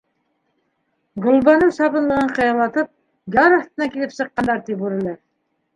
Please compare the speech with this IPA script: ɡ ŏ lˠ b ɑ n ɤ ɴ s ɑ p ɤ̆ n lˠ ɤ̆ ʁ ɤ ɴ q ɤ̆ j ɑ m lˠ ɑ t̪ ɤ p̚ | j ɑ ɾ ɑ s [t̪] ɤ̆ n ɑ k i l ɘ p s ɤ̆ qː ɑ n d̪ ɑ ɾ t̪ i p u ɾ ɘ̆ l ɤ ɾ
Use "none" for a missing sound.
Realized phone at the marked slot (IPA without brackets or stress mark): t̪